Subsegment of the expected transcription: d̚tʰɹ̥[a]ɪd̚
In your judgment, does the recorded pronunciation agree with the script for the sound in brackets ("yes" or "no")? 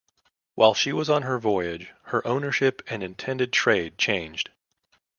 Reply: no